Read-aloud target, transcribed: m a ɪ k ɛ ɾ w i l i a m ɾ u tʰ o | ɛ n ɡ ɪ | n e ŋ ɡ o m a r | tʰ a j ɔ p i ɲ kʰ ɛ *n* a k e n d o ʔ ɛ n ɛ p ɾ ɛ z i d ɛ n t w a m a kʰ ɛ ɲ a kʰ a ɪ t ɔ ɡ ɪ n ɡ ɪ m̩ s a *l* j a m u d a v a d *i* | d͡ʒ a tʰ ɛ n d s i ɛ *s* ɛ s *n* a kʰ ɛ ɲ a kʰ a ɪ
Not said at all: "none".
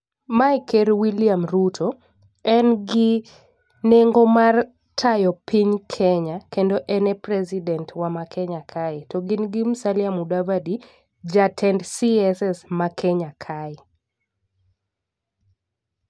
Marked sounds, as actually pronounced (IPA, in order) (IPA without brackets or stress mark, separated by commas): ɲ, l, i, s, m